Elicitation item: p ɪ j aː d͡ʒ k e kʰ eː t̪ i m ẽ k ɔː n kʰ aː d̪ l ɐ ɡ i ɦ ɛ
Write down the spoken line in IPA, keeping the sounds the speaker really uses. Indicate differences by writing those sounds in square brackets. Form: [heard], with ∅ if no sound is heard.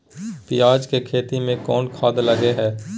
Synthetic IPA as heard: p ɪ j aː d͡ʒ k e kʰ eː t̪ i m ẽ k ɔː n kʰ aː d̪ l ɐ ɡ [e] ɦ [ɛː]